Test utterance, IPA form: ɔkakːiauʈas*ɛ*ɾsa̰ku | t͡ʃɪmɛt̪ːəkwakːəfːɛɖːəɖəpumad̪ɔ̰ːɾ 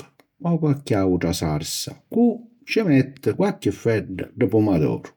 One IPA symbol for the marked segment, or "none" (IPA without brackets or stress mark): a